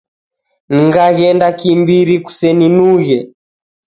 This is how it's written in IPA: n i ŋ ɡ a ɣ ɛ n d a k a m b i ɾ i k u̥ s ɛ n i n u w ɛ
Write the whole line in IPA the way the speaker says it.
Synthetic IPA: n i ŋ ɡ a ɣ ɛ n d a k i m b i ɾ i k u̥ s ɛ n i n u ɣ ɛ